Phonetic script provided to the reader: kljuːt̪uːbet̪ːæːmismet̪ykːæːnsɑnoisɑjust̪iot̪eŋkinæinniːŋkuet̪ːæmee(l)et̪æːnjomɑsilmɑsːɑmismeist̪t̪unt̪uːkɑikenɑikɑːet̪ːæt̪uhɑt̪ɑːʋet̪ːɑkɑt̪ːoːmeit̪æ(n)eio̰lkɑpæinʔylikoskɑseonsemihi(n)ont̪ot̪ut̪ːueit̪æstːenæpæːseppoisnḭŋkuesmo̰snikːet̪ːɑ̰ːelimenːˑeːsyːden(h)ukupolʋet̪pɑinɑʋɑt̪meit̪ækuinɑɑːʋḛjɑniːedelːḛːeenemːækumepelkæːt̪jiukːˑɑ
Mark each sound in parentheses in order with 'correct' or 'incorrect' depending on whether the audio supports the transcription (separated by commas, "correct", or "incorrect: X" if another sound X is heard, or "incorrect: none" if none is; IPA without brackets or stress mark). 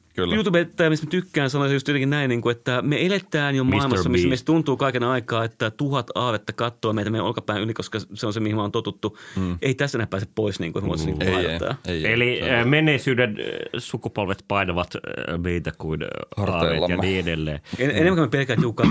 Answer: correct, incorrect: m, incorrect: m, incorrect: s